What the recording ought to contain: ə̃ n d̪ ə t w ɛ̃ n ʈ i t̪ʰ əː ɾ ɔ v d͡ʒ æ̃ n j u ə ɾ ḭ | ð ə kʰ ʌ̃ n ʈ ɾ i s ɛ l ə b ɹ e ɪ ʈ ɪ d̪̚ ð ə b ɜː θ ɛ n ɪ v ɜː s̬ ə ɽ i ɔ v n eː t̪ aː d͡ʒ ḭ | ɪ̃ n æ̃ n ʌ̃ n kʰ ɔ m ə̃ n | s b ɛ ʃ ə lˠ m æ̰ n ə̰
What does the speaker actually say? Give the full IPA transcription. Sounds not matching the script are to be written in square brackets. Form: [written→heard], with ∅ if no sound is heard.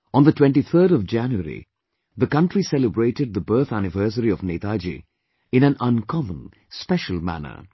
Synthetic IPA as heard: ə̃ n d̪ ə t w ɛ̃ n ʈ i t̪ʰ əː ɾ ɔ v d͡ʒ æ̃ n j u ə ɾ ḭ | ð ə [kʰ→k] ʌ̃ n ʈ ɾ i s ɛ l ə b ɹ e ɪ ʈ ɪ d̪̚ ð ə b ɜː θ [ɛ→æ] n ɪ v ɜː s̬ ə [ɽ→ɾ] i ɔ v n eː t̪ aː d͡ʒ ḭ | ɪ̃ n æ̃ n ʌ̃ n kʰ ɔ m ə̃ n | s [b→p] ɛ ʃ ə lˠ m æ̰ n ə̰